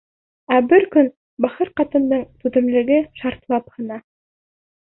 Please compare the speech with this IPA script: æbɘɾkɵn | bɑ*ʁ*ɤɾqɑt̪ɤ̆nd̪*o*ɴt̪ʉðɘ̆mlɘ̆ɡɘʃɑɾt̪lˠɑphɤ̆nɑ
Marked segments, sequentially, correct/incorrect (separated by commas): incorrect, incorrect